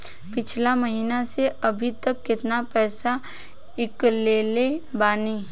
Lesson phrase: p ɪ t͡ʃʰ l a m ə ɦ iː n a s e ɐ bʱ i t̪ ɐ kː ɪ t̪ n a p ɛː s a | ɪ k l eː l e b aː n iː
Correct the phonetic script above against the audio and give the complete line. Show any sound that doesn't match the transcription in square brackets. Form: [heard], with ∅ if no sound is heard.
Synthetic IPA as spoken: p ɪ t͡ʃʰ l a m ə ɦ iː n a s e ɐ bʱ i t̪ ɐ kː ɪ t̪ n a p ɛː s a | ɪ k l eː l e b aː n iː